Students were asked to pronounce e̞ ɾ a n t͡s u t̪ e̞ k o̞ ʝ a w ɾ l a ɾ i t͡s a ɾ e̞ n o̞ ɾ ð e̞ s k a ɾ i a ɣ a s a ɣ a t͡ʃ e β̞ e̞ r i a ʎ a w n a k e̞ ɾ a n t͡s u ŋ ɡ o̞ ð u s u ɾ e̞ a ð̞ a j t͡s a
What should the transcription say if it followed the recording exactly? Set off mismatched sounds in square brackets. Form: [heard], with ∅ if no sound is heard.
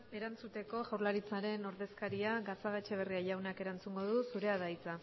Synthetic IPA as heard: e̞ ɾ a n t͡s u t̪ e̞ k o̞ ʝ a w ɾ l a ɾ i t͡s a ɾ e̞ n o̞ ɾ ð e̞ s k a ɾ i a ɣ a s a ɣ a t͡ʃ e β̞ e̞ r i a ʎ a w n a k e̞ ɾ a n t͡s u ŋ ɡ o̞ ð u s u ɾ e̞ a ð̞ a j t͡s a

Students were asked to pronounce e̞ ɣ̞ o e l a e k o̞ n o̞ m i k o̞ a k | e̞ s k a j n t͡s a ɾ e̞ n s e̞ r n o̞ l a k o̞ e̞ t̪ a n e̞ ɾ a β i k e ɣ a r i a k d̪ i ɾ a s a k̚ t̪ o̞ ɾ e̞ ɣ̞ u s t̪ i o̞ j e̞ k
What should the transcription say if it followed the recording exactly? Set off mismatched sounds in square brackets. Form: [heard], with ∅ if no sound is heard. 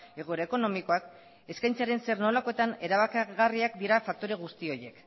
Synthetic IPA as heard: e̞ ɣ̞ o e [ɾ] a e k o̞ n o̞ m i k o̞ a k | e̞ s k a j n t͡s a ɾ e̞ n s e̞ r n o̞ l a k o̞ e̞ t̪ a n e̞ ɾ a β [a] k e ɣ a r i a k d̪ i ɾ a [f] a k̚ t̪ o̞ ɾ e̞ ɣ̞ u s t̪ i o̞ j e̞ k

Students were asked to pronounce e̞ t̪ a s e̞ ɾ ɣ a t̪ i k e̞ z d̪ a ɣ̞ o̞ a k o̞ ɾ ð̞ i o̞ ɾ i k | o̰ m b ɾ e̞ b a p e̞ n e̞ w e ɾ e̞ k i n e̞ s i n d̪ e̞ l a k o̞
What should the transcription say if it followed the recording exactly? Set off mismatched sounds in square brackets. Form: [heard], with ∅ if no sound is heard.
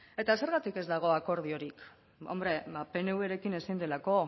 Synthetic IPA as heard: e̞ t̪ a s e̞ ɾ ɣ a t̪ i k e̞ z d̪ a ɣ̞ o̞ a k o̞ ɾ ð̞ i o̞ ɾ i k | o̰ m b ɾ e̞ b a p e̞ n e̞ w e ɾ e̞ k i n e̞ s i n d̪ e̞ l a k o̞

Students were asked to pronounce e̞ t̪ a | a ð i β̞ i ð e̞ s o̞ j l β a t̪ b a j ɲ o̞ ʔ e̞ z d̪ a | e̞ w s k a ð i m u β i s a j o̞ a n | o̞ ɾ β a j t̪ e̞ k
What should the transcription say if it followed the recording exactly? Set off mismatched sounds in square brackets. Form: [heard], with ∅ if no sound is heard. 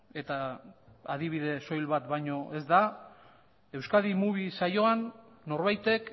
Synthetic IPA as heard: e̞ t̪ a | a ð i β̞ i ð e̞ s o̞ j l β a t̪ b a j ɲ o̞ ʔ e̞ z d̪ a | e̞ w s k a ð i m u β i s a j o̞ a [nː] | o̞ ɾ β a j t̪ e̞ k

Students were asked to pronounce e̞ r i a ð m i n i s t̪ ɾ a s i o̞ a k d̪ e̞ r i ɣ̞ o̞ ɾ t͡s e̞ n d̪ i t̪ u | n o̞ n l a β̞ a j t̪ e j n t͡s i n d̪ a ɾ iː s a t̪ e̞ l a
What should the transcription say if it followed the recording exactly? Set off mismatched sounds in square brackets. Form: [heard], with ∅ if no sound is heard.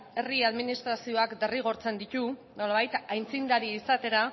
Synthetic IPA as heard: e̞ r i a ð m i n i s t̪ ɾ a s i o̞ a k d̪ e̞ r i ɣ̞ o̞ ɾ t͡s e̞ n d̪ i t̪ u | n o̞ [∅] l a β̞ a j t̪ [a] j n t͡s i n d̪ a ɾ iː s a t̪ e̞ [ɾ] a

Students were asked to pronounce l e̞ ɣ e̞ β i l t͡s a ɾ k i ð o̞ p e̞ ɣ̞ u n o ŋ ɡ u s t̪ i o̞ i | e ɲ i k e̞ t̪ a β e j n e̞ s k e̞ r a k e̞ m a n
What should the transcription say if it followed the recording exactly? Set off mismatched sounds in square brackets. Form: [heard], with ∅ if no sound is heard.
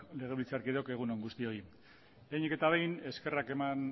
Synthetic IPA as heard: l e̞ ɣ e̞ β i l t͡s a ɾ k i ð o̞ [k] e̞ ɣ̞ u n o ŋ ɡ u s t̪ i o̞ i | e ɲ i k e̞ t̪ a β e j n e̞ s k e̞ r a k e̞ m a n

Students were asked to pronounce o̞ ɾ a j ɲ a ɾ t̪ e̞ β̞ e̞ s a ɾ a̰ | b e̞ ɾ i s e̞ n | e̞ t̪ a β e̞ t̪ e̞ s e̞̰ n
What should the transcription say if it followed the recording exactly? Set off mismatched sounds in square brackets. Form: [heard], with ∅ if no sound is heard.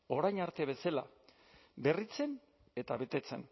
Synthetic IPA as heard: o̞ ɾ a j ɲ a ɾ t̪ e̞ β̞ e̞ s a [l] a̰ | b e̞ [r] i [t͡s] e̞ n | e̞ t̪ a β e̞ t̪ e̞ [t͡s] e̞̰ n

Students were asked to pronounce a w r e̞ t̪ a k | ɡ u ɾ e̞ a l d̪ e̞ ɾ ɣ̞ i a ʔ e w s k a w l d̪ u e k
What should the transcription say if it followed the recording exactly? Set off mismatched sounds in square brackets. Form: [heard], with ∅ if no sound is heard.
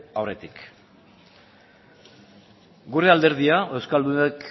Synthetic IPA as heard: a w r e̞ t̪ [i] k | ɡ u ɾ e̞ a l d̪ e̞ ɾ [ð̞] i a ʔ e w s k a [∅] l d̪ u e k

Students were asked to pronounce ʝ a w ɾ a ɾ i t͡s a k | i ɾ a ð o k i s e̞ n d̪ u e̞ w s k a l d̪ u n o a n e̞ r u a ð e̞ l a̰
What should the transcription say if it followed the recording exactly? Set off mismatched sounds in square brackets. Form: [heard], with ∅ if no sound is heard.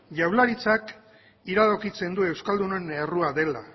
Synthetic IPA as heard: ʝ a w [l] a ɾ i t͡s a k | i ɾ a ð o k i [t͡s] e̞ n d̪ u e̞ w s k a l d̪ u n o [e] n e̞ r u a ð e̞ l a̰

